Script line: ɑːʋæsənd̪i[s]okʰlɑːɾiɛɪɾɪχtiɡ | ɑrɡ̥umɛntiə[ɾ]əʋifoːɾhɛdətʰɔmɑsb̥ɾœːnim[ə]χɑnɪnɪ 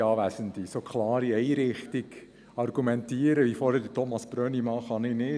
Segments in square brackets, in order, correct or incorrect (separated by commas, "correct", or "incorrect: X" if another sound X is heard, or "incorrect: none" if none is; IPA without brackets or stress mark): correct, correct, incorrect: ɑ